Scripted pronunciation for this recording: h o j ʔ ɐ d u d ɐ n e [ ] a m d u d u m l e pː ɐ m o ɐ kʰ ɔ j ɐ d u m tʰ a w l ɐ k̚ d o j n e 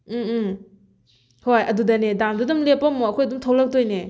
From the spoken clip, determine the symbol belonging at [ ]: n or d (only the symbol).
d